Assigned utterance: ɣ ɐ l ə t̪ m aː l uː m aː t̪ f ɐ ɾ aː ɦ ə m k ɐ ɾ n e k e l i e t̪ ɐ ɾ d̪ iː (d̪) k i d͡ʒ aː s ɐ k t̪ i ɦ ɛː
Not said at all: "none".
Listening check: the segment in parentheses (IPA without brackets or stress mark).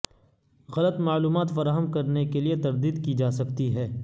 d̪